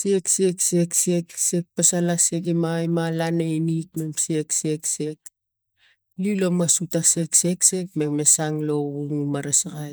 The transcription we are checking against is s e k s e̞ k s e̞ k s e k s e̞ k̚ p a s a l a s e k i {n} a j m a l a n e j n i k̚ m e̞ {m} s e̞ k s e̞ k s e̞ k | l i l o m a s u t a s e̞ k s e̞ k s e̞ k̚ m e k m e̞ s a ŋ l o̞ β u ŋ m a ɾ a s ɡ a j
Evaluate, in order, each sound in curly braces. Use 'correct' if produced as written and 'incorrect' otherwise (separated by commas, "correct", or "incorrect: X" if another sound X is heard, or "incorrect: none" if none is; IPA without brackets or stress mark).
incorrect: m, correct